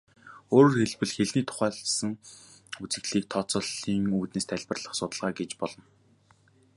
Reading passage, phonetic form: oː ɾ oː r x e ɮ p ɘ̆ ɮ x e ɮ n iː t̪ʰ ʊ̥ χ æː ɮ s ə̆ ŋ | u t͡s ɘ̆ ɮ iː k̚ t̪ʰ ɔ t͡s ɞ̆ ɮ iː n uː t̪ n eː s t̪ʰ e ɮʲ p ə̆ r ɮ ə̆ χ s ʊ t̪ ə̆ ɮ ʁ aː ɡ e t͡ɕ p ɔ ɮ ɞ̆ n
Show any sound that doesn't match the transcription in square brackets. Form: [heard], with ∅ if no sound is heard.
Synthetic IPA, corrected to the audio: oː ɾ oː r x e ɮ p ɘ̆ ɮ x e ɮ n iː t̪ʰ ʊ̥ χ æː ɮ s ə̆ ŋ | u t͡s ɘ̆ ɮ iː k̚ t̪ʰ ɔ t͡s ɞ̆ ɮ iː [ŋ] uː t̪ n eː s t̪ʰ [æ] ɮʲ p ə̆ r ɮ ə̆ χ s ʊ t̪ ə̆ ɮ ʁ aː ɡ e t͡ɕ p ɔ ɮ ɞ̆ n